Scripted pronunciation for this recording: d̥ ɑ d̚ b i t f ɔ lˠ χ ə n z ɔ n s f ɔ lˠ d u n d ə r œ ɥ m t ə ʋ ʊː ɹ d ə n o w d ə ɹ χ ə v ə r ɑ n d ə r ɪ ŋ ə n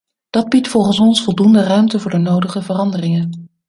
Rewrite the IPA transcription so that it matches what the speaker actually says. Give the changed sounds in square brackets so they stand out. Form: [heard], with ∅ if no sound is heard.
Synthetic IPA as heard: d̥ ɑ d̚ b i t f ɔ lˠ χ ə n [s] ɔ n s f ɔ lˠ d u n d ə r œ ɥ m t ə [v] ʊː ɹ d ə n o w d ə [∅] χ ə v ə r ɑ n d ə r ɪ ŋ ə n